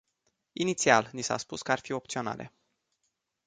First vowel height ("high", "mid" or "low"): high